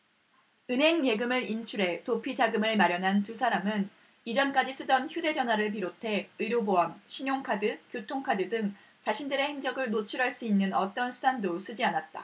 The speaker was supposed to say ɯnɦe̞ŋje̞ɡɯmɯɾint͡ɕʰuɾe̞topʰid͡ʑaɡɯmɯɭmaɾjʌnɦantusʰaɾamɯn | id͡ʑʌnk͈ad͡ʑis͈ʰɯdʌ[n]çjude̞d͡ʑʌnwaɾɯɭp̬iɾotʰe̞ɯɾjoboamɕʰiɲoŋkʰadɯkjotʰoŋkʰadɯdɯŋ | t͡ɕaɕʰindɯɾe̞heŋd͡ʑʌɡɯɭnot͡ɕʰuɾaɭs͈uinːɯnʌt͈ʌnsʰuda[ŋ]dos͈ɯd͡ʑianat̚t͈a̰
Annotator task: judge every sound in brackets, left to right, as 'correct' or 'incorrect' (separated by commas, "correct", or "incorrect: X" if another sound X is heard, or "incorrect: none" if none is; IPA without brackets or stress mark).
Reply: correct, incorrect: n